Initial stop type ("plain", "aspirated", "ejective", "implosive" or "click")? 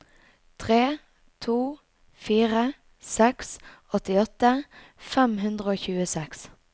aspirated